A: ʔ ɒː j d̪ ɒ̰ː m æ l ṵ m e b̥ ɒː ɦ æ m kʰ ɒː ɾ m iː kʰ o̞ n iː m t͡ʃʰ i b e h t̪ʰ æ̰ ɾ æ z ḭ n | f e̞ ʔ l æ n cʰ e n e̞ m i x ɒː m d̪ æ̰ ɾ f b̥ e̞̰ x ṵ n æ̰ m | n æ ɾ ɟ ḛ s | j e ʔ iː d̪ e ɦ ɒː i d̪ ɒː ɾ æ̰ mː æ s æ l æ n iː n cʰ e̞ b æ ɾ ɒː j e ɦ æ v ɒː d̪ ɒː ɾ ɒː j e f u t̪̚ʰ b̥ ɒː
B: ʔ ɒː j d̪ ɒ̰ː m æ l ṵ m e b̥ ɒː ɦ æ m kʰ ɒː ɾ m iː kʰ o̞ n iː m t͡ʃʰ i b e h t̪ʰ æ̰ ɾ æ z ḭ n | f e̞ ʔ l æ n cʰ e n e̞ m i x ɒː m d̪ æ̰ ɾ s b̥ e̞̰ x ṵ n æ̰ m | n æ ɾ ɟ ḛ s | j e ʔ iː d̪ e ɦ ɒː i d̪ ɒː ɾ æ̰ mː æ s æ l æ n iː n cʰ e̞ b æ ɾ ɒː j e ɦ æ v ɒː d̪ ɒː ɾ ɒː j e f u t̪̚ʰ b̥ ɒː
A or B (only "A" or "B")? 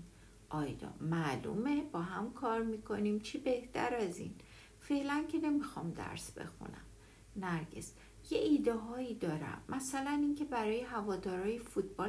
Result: B